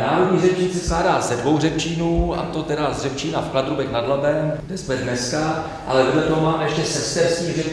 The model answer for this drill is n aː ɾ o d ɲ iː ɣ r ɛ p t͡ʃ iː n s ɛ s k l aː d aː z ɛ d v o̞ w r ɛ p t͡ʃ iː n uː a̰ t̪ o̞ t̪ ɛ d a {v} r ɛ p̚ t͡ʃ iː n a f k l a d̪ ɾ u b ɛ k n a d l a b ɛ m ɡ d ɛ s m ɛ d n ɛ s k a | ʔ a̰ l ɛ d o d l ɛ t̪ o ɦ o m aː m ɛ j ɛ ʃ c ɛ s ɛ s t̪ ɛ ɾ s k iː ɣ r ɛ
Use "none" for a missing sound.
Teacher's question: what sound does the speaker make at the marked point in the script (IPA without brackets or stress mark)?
z